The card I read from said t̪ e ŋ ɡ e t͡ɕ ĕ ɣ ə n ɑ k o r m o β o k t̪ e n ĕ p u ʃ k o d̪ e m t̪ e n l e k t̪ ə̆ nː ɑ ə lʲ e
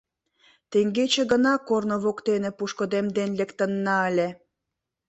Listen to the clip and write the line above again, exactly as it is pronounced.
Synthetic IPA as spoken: t̪ e ŋ ɡ e t͡ɕ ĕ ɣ ə n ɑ k o r n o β o k t̪ e n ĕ p u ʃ k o d̪ e m d̪ e n l e k t̪ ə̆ nː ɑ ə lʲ e